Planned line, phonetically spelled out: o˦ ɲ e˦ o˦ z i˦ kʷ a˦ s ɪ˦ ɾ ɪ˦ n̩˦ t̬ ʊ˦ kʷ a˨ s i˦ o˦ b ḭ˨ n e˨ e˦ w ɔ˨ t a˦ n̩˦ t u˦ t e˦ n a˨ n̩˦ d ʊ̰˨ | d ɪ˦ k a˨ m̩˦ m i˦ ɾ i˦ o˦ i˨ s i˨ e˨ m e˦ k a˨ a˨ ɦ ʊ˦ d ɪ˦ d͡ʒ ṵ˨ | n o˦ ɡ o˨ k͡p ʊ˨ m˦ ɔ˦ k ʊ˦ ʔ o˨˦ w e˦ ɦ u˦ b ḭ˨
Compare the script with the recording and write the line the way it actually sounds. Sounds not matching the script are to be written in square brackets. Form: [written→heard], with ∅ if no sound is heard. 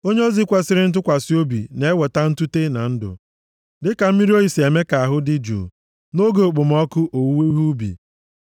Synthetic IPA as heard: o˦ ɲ e˦ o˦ z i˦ kʷ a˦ s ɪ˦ ɾ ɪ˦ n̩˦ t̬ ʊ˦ kʷ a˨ s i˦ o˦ b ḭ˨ n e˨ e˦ w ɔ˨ t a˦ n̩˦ t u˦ t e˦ n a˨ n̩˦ d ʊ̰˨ | d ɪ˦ k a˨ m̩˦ m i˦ ɾ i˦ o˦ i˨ s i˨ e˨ m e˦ k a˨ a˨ ɦ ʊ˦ d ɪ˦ d͡ʒ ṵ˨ | n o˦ ɡ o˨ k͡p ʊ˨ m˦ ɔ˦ k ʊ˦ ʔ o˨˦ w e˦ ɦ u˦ b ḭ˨